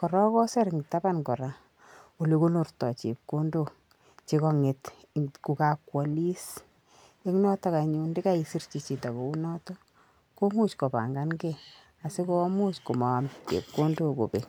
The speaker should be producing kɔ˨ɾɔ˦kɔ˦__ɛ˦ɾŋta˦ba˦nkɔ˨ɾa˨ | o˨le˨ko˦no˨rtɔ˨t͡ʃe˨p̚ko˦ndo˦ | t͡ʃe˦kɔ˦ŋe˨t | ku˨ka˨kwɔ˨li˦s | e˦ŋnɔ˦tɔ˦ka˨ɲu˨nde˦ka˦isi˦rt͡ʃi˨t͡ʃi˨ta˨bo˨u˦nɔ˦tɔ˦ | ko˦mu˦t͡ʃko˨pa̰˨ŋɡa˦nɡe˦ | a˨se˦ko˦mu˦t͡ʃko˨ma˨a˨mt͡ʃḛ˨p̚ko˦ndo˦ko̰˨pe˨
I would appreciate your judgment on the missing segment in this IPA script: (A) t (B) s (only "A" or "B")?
B